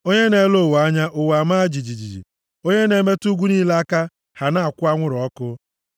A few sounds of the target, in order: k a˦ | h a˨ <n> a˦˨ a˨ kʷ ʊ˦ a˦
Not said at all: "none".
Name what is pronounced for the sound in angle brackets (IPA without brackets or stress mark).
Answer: n